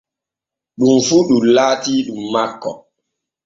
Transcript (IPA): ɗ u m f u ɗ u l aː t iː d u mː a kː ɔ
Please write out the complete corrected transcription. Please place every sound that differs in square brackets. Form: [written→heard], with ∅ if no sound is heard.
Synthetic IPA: ɗ u m f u ɗ u l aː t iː [d→ɗ] u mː a kː ɔ